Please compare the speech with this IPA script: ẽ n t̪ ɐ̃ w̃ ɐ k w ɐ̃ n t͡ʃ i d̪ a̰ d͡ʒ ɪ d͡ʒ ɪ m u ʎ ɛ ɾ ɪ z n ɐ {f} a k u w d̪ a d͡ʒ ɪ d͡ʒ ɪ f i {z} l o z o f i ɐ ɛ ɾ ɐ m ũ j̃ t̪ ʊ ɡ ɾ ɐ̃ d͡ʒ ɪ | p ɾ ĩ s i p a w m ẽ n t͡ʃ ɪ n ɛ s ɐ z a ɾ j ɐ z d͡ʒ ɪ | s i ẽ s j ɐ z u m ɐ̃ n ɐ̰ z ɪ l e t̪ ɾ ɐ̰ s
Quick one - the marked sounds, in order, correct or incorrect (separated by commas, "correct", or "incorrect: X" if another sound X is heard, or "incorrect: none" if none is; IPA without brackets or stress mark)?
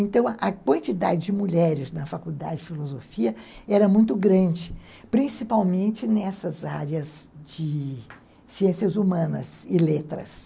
correct, incorrect: none